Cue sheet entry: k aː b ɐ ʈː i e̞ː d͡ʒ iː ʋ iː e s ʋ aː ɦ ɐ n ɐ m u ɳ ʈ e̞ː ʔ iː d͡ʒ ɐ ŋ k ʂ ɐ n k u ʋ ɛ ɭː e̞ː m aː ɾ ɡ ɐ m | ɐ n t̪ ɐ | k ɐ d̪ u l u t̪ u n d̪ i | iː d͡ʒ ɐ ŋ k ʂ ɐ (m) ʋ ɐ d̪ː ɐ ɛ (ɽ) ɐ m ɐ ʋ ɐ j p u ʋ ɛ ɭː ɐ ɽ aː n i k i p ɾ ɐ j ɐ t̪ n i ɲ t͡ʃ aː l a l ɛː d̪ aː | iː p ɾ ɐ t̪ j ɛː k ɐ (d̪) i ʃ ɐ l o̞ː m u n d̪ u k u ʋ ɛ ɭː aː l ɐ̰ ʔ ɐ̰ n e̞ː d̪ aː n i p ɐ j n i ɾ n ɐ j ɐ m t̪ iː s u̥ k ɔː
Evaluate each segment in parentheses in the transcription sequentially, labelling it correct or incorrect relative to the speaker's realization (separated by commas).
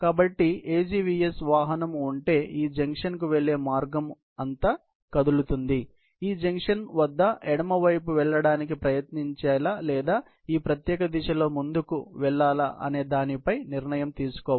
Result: incorrect, correct, correct